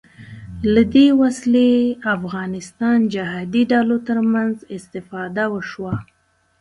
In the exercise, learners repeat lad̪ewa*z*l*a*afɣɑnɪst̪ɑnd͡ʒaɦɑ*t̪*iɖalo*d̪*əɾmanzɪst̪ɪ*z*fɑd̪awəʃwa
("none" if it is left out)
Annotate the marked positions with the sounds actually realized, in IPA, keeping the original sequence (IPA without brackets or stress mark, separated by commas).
s, e, d̪, t̪, none